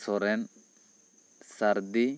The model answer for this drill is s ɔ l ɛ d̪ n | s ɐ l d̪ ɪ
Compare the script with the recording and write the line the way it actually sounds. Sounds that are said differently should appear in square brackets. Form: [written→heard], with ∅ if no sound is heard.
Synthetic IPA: s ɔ [l→ɾ] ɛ [d̪→∅] n | s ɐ [l→ɾ] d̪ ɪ